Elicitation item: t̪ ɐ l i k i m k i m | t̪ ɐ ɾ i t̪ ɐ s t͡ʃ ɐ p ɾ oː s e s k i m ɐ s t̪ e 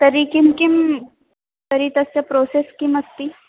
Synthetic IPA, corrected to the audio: t̪ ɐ ɾ i k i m k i m | t̪ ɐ ɾ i t̪ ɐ s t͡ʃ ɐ p ɾ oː s e s k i m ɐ s t̪ i